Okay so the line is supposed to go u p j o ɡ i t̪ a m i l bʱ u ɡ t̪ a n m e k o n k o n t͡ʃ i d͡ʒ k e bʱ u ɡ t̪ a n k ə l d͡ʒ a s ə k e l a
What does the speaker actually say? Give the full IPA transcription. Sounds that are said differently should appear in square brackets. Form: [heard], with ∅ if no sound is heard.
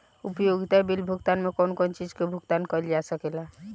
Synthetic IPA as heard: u p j o ɡ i t̪ a [b] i l bʱ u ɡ t̪ a n m e k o n k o n t͡ʃ i d͡ʒ k e bʱ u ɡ t̪ a n k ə l d͡ʒ a s ə k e l a